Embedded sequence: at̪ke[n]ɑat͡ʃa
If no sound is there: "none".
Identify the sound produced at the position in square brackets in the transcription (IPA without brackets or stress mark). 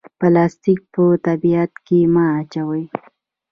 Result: m